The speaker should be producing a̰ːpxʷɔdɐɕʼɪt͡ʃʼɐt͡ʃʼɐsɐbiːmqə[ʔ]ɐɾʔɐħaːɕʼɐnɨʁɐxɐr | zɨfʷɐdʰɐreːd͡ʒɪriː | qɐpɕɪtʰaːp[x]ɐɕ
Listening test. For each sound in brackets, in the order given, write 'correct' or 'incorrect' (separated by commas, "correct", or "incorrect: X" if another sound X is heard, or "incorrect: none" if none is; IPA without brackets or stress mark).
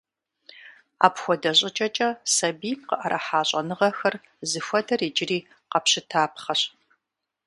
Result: correct, incorrect: χ